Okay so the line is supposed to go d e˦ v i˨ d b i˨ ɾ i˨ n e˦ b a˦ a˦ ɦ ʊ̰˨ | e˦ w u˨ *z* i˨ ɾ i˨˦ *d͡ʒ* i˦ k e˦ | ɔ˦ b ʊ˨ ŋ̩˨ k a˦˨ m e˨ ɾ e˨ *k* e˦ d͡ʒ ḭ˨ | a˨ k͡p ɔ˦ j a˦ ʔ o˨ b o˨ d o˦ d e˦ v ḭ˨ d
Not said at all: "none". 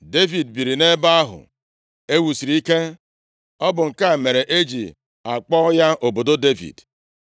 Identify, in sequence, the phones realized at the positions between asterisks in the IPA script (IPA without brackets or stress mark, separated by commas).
s, none, ʔ